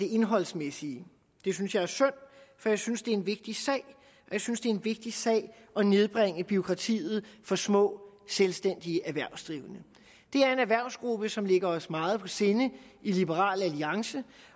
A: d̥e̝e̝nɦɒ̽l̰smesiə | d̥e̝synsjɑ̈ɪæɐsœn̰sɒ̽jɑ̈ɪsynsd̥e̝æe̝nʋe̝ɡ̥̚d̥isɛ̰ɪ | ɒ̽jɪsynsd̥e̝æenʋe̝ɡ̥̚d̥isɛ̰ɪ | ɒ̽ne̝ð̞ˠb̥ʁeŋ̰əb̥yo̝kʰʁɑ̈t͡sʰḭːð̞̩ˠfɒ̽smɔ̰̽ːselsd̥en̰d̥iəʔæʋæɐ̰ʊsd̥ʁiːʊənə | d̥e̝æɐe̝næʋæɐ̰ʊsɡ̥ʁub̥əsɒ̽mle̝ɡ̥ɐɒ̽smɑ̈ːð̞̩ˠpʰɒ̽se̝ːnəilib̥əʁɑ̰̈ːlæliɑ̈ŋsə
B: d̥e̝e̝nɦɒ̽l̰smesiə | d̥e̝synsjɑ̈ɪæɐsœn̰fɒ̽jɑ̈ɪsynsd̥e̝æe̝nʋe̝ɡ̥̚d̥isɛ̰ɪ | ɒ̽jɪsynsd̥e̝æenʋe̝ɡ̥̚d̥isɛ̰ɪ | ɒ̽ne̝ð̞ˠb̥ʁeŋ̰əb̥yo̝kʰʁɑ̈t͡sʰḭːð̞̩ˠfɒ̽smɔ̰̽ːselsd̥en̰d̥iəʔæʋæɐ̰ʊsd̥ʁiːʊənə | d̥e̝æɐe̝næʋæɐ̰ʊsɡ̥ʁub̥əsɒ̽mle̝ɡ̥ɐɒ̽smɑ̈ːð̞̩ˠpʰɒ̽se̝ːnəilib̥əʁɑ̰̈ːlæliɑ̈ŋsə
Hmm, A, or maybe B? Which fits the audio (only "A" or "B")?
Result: B